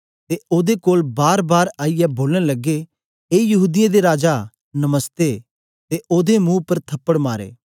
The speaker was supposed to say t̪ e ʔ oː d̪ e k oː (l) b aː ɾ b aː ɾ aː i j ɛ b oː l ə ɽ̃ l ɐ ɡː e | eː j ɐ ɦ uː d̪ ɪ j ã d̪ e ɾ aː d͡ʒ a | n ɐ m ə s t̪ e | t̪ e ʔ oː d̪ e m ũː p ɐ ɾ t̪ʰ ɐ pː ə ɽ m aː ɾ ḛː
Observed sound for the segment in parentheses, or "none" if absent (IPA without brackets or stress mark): l